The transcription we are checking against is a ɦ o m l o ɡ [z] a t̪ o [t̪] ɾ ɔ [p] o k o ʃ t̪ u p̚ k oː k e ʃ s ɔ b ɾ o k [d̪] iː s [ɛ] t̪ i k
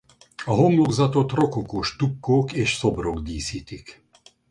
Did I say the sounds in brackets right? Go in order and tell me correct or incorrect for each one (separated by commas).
correct, correct, incorrect, correct, incorrect